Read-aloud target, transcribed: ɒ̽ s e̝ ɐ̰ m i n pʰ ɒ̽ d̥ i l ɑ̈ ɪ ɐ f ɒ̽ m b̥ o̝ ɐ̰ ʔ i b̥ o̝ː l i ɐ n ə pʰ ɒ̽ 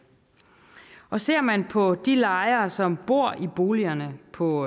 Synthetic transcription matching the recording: ɒ̽ s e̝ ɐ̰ m æ n pʰ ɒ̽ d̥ i l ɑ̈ ɪ ɐ s ɒ̽ m b̥ o̝ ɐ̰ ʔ i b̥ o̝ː l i ɐ n ə pʰ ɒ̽